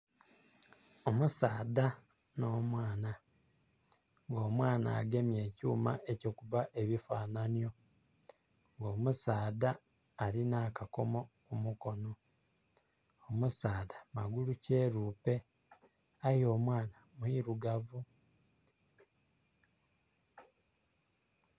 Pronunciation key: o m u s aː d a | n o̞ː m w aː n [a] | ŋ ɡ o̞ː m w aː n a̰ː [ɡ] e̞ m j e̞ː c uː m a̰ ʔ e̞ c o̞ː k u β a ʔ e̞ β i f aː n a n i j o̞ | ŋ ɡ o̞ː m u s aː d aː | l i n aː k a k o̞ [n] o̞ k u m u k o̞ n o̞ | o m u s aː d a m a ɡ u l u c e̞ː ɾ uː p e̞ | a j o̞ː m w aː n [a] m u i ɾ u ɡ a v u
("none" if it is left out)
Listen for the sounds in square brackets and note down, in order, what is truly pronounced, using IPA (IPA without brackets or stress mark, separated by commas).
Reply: a, ɡ, m, a